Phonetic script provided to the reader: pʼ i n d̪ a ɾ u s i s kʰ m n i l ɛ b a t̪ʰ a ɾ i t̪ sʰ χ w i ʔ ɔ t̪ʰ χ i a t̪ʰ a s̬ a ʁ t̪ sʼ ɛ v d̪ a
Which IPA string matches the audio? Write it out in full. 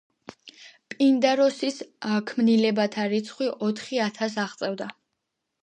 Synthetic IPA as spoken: pʼ i n d̪ a ɾ ɔ s i s kʰ m n i l ɛ b a t̪ʰ a ɾ i t̪ sʰ χ w i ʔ ɔ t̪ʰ χ i a t̪ʰ a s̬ a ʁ t̪ sʼ ɛ v d̪ a